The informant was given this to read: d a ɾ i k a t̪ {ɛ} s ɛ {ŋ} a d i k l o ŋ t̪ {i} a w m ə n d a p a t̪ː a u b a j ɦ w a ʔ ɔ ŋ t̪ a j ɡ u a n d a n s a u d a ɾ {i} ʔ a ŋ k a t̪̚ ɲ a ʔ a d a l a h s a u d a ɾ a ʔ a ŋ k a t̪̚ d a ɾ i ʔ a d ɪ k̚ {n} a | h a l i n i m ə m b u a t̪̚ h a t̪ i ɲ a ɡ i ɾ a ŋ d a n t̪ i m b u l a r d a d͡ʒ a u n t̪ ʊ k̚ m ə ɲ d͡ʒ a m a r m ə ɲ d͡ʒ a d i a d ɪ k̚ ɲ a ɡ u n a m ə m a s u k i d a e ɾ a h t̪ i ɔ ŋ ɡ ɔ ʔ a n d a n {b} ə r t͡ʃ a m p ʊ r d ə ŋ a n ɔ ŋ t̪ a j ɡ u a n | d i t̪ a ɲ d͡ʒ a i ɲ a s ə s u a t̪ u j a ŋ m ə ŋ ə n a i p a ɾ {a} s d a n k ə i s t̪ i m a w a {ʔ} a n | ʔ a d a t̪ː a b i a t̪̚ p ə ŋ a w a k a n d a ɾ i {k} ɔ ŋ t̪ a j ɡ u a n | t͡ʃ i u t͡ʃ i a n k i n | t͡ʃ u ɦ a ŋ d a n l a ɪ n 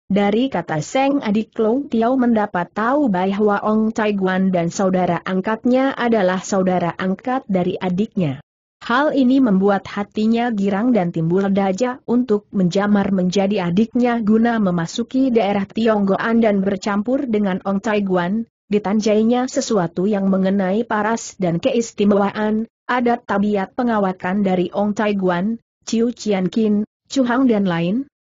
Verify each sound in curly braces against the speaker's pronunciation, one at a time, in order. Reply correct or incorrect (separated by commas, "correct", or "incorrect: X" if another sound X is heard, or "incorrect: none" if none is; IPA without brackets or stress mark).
incorrect: a, correct, correct, incorrect: a, incorrect: ɲ, correct, correct, correct, incorrect: ʔ